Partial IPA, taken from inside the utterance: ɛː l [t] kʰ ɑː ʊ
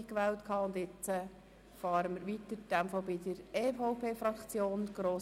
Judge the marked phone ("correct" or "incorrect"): correct